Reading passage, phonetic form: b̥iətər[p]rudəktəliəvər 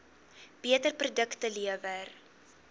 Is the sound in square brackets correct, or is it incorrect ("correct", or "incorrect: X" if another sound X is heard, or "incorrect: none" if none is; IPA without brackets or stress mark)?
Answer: correct